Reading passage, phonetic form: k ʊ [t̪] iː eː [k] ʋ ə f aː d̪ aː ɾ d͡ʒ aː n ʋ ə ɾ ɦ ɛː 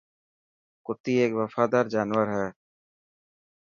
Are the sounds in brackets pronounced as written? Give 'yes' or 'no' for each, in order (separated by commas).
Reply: yes, yes